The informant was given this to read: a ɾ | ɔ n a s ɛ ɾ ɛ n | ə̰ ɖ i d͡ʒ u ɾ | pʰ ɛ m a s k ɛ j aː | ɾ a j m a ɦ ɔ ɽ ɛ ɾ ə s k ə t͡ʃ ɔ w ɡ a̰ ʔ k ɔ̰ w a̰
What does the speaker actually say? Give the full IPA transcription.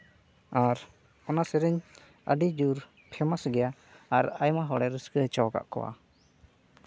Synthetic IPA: a ɾ | ɔ n a s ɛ ɾ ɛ ɲ | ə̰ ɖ i d͡ʒ u ɾ | pʰ ɛ m a s ɡ ɛ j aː | ɾ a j m a ɦ ɔ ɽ ɛ ɾ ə s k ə t͡ʃ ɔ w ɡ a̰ ʔ k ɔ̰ w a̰